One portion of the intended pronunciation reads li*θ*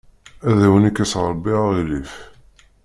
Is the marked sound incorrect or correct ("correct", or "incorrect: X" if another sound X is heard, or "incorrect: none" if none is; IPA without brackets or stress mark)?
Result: incorrect: f